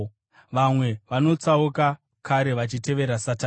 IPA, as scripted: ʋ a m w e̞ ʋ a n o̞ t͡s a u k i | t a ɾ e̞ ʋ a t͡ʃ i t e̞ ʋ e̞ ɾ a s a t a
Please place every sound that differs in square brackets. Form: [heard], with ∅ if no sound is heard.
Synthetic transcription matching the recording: ʋ a m w e̞ ʋ a n o̞ t͡s a u k [a] | [k] a ɾ e̞ ʋ a t͡ʃ i t e̞ ʋ e̞ ɾ a s a t a